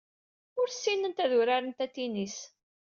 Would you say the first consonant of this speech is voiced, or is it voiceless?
voiced